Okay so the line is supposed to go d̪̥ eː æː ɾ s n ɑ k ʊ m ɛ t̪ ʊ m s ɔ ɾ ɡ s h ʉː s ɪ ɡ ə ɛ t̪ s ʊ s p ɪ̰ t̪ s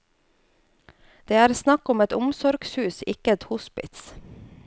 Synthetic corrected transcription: d̪̥ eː æː ɾ s n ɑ k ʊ m ɛ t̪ ʊ m s ɔ ɾ ɡ s h ʉː s ɪ k ə ɛ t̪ h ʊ s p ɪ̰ t̪ s